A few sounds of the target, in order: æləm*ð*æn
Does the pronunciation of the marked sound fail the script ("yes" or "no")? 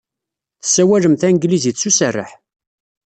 yes